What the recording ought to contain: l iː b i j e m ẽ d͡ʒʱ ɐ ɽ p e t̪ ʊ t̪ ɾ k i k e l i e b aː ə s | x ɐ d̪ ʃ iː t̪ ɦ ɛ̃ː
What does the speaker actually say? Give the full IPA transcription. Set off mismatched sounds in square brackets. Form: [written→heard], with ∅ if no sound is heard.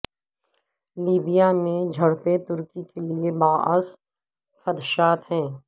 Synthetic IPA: l iː b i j [e→a] m ẽ d͡ʒʱ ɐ ɽ p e t̪ ʊ [t̪→∅] ɾ k i k e l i e b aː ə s | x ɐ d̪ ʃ [iː→aː] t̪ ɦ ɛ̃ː